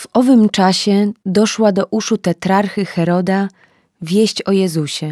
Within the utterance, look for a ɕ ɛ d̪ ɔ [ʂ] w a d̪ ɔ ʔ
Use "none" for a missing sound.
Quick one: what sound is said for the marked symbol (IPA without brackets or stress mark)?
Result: ʂ